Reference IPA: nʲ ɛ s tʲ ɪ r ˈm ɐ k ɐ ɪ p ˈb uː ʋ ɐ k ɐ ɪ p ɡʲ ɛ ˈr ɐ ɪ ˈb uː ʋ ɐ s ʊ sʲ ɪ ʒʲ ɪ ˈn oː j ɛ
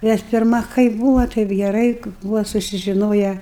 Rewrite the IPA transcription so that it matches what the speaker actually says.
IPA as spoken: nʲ ɛ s pʲ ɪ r ˈm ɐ k ɐ ɪ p ˈb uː ʋ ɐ t ɐ ɪ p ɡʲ ɛ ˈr ɐ ɪ ˈb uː ʋ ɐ s ʊ sʲ ɪ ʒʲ ɪ ˈn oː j ɛ